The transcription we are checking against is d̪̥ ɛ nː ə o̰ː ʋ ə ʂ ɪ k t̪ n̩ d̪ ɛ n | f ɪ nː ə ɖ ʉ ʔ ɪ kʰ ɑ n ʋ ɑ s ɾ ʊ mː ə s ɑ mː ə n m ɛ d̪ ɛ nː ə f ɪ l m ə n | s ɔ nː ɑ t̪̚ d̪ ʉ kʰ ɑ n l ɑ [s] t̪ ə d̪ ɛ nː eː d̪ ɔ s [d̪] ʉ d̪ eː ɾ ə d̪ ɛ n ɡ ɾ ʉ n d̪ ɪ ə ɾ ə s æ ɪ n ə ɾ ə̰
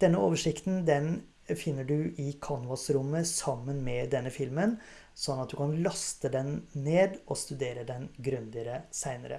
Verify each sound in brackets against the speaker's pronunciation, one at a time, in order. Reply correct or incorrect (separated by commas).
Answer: correct, incorrect